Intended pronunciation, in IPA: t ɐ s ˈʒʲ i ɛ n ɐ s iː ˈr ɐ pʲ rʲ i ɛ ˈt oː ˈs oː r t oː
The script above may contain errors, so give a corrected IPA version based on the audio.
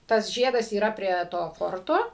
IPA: t ɐ s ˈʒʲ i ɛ d ɐ s iː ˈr ɐ pʲ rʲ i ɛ ˈt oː ˈf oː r t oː